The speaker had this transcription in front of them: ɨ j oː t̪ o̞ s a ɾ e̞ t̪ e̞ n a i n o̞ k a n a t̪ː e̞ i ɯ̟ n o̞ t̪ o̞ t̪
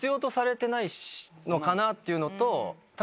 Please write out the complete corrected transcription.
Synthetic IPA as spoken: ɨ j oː t̪ o̞ s a ɾ e̞ t̪ e̞ n a i n o̞ k a n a t̪ː e̞ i ɯ̟ n o̞ t̪ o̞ t̪